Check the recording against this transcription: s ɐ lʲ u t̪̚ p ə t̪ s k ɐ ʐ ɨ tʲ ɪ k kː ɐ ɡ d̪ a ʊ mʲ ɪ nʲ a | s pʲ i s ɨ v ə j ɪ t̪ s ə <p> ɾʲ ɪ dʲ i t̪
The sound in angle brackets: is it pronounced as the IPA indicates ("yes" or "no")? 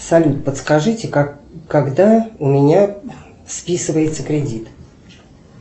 no